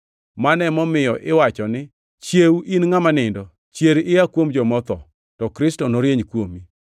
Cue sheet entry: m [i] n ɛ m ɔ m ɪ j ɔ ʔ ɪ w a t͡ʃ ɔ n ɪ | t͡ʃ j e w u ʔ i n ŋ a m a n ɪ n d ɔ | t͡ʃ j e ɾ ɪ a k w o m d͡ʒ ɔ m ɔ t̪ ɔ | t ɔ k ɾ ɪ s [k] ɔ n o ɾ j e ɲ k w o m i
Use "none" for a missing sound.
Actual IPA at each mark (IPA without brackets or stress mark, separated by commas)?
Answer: a, t